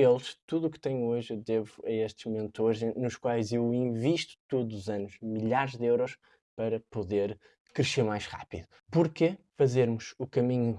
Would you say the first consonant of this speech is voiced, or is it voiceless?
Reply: voiced